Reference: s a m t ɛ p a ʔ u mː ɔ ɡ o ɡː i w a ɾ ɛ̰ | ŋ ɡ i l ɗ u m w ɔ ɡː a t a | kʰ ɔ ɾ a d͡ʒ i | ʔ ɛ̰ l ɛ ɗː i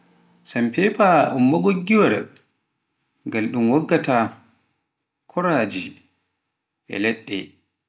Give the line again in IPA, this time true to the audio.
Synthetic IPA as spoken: s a m p ɛ p a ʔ u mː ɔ ɡ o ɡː i w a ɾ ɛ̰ | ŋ ɡ a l ɗ u m w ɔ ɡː a t a | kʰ ɔ ɾ a d͡ʒ i | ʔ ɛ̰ l ɛ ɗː ɛ